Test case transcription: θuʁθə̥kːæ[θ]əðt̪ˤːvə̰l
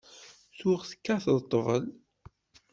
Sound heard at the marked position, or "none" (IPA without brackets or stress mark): θ